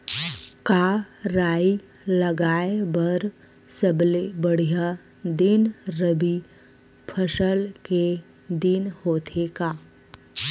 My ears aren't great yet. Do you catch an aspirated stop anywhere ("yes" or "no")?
yes